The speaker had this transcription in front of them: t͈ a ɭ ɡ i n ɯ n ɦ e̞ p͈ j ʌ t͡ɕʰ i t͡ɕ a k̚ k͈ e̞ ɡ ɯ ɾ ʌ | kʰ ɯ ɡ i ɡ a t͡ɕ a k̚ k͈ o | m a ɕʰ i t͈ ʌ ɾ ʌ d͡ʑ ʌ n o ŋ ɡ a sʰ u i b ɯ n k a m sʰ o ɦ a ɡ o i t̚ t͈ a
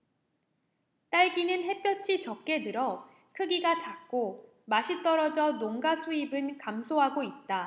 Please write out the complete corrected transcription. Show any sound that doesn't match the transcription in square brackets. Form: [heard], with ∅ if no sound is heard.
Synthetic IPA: t͈ a ɭ ɡ i n ɯ n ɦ e̞ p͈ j ʌ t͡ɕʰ i t͡ɕ [ʌ] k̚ k͈ e̞ [d] ɯ ɾ ʌ | kʰ ɯ ɡ i ɡ a t͡ɕ a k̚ k͈ o | m a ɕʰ i t͈ ʌ ɾ ʌ d͡ʑ ʌ n o ŋ ɡ a sʰ u i b ɯ n k a m sʰ o ɦ a ɡ o i t̚ t͈ a